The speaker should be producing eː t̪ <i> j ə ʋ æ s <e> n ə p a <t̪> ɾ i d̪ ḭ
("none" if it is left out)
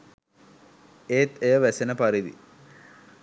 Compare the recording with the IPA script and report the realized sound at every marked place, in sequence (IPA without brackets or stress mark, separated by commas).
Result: e, e, none